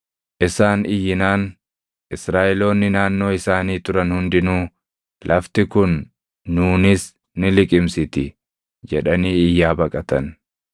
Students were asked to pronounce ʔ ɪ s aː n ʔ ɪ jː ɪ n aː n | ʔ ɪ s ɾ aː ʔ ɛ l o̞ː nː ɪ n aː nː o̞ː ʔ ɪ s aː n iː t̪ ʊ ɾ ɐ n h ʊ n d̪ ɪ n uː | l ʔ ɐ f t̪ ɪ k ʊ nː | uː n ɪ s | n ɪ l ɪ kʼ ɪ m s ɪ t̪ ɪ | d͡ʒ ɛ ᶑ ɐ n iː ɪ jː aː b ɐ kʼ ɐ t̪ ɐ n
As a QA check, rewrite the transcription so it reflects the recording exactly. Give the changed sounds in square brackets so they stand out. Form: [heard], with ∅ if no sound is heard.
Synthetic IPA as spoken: ʔ ɪ s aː n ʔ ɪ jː ɪ n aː n | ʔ ɪ s ɾ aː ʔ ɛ l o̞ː nː ɪ n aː nː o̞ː [∅] ɪ s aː n iː t̪ ʊ ɾ ɐ n h ʊ n d̪ ɪ n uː | l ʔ ɐ f t̪ ɪ k ʊ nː | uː n ɪ s | n ɪ l ɪ kʼ ɪ m s ɪ t̪ ɪ | d͡ʒ ɛ ᶑ ɐ n iː ɪ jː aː b ɐ kʼ ɐ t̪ ɐ n